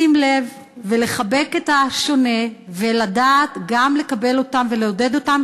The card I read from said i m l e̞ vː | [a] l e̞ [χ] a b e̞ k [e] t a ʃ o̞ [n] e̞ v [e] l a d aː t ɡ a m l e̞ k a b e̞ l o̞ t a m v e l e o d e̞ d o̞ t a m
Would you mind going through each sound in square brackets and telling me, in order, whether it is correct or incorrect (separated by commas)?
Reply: incorrect, correct, correct, correct, correct